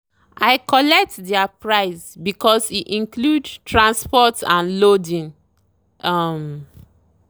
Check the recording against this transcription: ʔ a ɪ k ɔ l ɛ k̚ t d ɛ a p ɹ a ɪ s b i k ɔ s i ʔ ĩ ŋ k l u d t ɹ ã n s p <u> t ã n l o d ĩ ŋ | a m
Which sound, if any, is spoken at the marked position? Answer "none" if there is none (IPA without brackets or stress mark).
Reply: ɔ